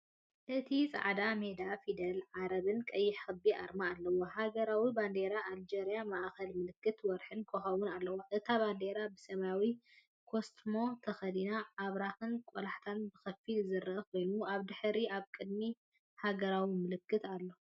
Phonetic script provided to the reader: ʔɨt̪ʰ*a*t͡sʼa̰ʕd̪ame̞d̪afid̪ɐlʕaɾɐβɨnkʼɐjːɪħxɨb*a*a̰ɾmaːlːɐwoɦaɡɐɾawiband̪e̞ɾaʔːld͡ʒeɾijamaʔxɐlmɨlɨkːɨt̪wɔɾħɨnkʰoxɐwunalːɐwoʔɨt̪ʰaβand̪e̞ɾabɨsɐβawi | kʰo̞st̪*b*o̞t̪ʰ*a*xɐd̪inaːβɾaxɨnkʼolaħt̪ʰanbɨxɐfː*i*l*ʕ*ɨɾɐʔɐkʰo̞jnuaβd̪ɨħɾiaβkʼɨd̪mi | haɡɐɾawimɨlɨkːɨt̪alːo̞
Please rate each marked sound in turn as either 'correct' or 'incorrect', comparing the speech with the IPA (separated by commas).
incorrect, incorrect, incorrect, incorrect, correct, incorrect